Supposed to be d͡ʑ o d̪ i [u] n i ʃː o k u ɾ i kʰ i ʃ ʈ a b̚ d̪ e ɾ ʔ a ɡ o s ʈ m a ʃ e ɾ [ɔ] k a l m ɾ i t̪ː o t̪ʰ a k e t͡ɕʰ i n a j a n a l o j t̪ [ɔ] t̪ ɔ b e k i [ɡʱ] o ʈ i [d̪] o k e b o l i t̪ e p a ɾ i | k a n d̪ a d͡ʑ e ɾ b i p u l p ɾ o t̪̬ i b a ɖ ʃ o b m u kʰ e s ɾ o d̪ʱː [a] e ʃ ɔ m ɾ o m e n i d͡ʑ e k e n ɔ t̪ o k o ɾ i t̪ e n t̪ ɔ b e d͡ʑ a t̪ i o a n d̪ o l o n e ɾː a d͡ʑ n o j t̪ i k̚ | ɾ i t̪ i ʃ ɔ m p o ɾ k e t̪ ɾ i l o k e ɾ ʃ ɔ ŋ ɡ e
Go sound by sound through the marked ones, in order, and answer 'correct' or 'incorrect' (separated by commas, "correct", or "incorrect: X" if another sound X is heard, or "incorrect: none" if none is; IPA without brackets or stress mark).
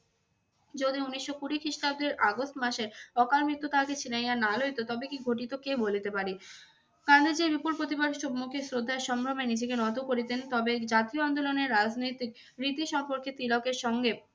correct, correct, incorrect: o, correct, incorrect: t̪, correct